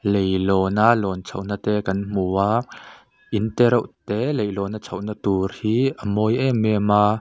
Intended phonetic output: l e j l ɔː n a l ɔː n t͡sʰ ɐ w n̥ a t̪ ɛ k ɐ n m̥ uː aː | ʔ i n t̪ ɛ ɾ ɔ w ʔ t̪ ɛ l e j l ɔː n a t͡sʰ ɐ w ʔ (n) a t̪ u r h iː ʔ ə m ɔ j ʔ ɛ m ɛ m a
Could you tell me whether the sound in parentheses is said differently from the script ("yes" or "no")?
no